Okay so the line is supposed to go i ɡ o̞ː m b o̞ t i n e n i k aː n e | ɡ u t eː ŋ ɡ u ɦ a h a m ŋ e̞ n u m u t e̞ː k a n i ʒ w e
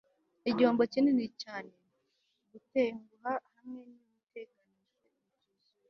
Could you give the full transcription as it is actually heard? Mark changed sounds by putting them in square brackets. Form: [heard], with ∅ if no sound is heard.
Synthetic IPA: i [ɟ] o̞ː m b o̞ [c] i n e n i [c] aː n e | ɡ u t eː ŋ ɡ u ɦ a h a m ŋ e̞ n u m u t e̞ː k a n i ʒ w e

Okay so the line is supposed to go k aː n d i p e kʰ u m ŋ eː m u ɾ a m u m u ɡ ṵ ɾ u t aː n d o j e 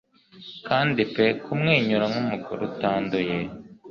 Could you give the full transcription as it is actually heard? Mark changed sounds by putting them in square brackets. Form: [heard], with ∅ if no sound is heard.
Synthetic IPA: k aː n d i p e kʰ u m ŋ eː [ɲ] u ɾ a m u m u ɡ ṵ ɾ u t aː n d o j e

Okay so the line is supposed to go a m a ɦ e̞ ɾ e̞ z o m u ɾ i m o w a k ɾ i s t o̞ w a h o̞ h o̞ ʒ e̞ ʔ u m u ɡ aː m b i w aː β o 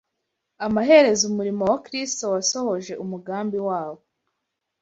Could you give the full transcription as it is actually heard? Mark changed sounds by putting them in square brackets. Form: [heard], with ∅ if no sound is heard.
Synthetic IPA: a m a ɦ e̞ ɾ e̞ z [u] m u ɾ i m o w a k ɾ i s t o̞ w a [s] o̞ h o̞ ʒ e̞ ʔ u m u ɡ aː m b i w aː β o

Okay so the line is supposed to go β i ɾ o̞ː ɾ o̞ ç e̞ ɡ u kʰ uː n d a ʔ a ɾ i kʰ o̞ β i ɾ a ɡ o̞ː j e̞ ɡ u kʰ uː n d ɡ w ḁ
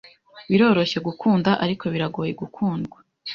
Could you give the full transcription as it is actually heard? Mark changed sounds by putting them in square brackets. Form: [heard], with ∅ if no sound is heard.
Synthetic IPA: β i ɾ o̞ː ɾ o̞ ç e̞ ɡ u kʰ uː n d a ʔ a ɾ i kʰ o̞ β i ɾ a ɡ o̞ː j e̞ ɡ u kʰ uː n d ɡ w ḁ

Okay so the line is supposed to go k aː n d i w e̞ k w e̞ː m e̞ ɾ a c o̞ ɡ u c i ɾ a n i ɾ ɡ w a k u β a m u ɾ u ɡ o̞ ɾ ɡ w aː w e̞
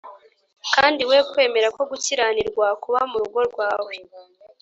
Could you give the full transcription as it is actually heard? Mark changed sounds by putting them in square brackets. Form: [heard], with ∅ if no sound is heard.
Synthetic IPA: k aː n d i w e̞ k w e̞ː m e̞ ɾ a [k] o̞ ɡ u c i ɾ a n i ɾ ɡ w a k u β a m u ɾ u ɡ o̞ ɾ ɡ w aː w e̞

